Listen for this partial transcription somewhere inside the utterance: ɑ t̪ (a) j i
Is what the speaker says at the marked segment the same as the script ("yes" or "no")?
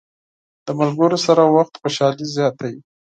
yes